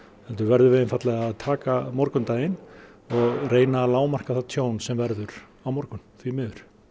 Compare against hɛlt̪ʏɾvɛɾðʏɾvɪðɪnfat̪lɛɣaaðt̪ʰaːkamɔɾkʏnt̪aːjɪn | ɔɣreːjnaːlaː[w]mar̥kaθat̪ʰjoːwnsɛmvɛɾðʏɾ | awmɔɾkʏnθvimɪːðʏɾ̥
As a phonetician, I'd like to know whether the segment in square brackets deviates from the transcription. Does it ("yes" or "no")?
no